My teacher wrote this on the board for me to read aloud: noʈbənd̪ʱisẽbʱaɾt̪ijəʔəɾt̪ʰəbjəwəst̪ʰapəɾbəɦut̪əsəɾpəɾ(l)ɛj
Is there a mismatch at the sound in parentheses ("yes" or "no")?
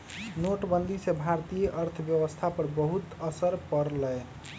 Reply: no